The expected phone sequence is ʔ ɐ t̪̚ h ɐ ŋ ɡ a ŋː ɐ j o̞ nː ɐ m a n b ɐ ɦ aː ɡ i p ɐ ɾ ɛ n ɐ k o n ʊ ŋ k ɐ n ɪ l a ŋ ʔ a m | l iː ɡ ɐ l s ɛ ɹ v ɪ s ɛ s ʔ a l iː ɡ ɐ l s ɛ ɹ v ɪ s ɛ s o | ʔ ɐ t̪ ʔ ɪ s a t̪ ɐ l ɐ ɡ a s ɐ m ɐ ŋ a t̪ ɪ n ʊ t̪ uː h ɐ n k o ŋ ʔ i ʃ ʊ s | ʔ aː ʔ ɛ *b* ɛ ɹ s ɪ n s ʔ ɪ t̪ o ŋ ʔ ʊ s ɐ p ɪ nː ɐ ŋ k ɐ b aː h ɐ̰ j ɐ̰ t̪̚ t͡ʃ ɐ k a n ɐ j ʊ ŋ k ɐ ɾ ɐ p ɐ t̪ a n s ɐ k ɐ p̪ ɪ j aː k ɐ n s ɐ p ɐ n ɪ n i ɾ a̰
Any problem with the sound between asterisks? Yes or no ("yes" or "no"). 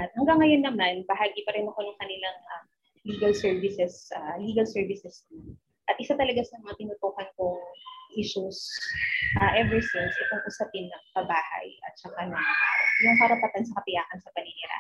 yes